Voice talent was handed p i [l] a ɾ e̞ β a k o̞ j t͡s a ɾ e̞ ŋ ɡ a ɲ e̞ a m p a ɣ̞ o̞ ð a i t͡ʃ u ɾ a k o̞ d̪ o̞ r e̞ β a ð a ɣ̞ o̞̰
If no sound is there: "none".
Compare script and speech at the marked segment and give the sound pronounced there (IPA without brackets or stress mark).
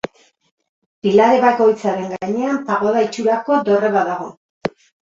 l